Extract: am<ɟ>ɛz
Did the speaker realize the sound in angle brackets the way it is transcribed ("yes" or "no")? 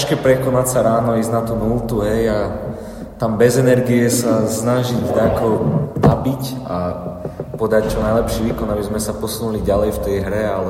no